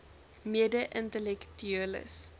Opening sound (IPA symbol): m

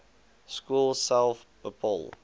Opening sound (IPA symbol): s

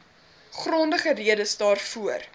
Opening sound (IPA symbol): χ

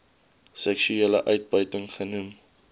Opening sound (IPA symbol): s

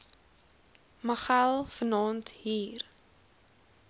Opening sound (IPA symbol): m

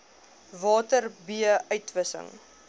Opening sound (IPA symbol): v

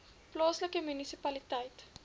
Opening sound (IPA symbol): p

